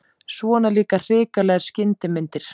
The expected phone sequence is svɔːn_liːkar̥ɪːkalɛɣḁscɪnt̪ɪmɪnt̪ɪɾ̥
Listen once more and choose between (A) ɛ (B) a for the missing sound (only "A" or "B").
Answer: B